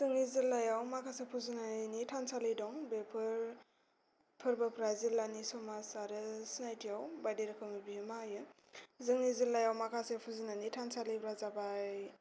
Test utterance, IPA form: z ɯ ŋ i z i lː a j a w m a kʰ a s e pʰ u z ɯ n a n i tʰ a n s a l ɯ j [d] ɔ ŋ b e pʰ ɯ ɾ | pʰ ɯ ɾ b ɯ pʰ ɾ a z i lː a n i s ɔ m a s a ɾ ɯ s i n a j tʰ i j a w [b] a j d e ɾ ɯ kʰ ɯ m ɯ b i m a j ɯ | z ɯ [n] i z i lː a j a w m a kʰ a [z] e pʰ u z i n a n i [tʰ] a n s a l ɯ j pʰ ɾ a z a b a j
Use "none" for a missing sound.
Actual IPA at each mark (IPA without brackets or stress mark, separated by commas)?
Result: d, b, ŋ, s, tʰ